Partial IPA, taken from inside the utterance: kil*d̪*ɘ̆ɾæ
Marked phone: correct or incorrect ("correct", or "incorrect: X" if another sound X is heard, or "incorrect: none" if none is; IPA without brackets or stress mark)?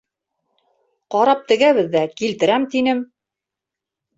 incorrect: t̪